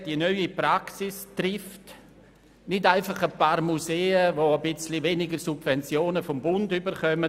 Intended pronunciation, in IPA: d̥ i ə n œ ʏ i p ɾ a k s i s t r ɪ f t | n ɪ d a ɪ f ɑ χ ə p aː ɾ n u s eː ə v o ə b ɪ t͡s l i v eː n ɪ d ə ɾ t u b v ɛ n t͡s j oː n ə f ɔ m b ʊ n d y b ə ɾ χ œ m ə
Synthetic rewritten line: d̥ i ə n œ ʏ i p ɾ a k s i s t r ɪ f t | n ɪ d a ɪ f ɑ χ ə p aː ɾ m u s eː ə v o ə b ɪ t͡s l i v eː n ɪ ɡ ə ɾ s u b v ɛ n t͡s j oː n ə f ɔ m b ʊ n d y b ə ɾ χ œ m ə